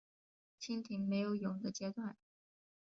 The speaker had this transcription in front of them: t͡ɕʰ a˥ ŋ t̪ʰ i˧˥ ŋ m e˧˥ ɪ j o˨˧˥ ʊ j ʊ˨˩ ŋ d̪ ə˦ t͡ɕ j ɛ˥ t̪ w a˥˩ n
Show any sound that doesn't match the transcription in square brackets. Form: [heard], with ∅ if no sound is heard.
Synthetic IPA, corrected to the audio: t͡ɕʰ [i˥] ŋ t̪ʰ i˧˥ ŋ m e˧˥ ɪ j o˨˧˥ ʊ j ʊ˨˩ ŋ d̪ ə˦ t͡ɕ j ɛ˥ t̪ w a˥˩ n